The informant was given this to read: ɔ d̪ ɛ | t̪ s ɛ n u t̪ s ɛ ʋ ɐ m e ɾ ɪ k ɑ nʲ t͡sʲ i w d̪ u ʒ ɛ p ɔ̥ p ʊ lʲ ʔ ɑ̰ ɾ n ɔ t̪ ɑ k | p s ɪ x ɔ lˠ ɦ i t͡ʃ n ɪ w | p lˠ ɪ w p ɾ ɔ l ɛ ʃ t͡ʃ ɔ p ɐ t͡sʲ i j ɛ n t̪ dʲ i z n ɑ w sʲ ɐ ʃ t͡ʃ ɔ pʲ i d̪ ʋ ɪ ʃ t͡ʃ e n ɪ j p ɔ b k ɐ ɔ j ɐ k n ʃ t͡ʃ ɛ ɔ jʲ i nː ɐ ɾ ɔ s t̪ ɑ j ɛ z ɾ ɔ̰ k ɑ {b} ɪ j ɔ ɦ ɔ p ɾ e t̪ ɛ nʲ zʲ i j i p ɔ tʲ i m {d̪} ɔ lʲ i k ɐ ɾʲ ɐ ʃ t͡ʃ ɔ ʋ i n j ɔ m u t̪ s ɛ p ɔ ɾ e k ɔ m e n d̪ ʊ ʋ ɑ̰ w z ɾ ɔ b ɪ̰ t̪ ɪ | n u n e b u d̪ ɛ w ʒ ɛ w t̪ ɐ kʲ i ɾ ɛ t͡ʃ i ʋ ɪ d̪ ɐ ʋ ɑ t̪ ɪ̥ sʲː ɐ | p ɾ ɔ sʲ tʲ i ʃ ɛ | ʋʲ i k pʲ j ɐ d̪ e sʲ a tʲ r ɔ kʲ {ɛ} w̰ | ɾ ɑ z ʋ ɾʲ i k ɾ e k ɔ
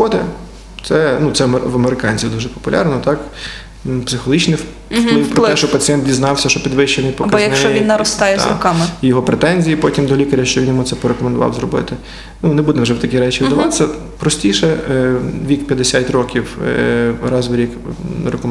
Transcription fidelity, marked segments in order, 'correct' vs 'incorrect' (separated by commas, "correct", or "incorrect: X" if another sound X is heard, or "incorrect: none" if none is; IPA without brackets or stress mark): incorrect: m, correct, incorrect: i